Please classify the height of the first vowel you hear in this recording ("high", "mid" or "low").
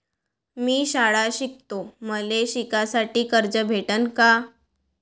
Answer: high